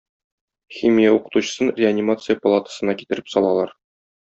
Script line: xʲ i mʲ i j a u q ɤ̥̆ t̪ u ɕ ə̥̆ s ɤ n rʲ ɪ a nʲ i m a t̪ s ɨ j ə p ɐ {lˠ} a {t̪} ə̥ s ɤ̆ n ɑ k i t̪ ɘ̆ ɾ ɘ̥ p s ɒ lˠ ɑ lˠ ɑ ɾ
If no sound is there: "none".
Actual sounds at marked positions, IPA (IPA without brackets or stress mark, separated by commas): lˠ, t̪